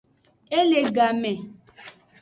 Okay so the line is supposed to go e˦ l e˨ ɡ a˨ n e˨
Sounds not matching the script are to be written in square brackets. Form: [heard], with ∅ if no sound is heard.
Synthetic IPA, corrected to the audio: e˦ l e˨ ɡ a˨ [m] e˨